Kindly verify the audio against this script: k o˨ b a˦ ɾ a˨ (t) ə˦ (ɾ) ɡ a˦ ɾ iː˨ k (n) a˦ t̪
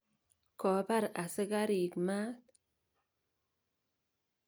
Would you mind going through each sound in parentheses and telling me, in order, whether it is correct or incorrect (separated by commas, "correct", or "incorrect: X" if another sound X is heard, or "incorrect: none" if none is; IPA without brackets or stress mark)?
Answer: incorrect: s, incorrect: none, incorrect: m